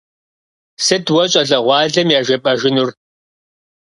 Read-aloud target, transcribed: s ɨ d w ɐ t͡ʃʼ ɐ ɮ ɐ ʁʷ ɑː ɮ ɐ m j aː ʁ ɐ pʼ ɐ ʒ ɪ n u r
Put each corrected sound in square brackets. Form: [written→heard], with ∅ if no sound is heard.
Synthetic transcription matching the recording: s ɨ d w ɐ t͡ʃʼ ɐ ɮ ɐ ʁʷ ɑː ɮ ɐ m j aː [ʁ→ʒ] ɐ pʼ ɐ ʒ ɪ n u r